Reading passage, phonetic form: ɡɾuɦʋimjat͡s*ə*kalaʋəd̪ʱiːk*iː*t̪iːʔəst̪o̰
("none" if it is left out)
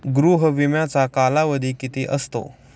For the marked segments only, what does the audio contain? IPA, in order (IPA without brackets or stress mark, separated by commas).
a, i